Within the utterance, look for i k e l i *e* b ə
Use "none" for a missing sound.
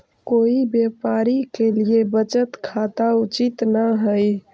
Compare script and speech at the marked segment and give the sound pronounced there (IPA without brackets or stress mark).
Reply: e